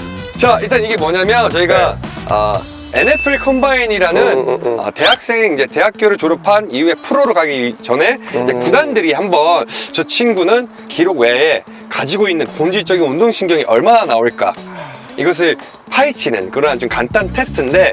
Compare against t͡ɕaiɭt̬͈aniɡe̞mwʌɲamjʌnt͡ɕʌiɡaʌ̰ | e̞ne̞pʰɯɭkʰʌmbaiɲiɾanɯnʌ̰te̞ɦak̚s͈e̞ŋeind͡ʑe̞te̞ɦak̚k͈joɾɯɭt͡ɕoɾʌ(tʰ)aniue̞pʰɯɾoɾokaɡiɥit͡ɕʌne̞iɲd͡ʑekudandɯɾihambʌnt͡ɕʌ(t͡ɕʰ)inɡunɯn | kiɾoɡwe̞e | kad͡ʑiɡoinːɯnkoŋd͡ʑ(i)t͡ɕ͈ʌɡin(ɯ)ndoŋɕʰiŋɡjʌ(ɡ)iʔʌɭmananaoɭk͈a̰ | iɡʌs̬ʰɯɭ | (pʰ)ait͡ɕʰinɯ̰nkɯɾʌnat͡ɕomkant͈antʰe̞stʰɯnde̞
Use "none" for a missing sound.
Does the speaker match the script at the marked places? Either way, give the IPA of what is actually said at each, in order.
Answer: pʰ, t͡ɕʰ, i, u, ŋ, pʰ

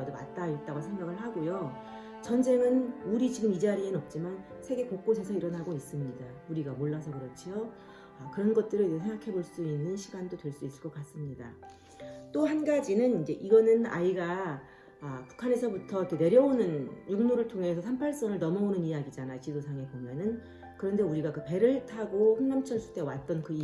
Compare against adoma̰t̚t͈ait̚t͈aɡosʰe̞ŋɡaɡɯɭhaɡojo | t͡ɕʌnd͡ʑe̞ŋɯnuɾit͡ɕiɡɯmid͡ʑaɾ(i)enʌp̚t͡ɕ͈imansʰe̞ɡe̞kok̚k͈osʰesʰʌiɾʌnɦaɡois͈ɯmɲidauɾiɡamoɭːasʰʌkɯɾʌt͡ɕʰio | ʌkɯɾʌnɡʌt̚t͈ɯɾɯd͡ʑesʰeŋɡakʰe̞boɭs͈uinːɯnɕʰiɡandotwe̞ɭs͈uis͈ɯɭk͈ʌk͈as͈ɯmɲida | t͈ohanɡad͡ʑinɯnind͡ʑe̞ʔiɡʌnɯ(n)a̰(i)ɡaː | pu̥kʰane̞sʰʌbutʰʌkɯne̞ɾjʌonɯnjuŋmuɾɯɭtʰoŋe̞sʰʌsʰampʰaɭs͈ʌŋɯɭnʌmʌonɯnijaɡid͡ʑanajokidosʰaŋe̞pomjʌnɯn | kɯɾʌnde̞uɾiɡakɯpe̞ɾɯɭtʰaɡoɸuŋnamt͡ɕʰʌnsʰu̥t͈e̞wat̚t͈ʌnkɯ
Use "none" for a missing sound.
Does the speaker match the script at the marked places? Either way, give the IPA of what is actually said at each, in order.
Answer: i, n, i

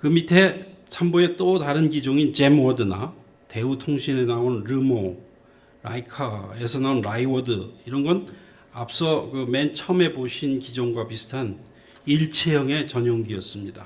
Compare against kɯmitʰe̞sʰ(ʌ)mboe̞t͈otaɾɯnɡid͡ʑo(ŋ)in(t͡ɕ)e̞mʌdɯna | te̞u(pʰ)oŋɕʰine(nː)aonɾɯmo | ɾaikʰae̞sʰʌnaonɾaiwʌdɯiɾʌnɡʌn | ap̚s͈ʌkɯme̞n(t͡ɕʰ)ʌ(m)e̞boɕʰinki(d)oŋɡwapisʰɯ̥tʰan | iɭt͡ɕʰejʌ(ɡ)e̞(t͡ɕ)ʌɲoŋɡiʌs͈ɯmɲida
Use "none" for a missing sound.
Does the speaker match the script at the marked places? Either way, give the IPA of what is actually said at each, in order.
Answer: a, ŋ, t͡ɕ, tʰ, n, t͡ɕʰ, m, d͡ʑ, ŋ, t͡ɕ

